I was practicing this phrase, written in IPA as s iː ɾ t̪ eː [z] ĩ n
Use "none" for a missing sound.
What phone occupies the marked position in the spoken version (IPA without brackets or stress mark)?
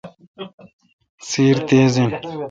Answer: z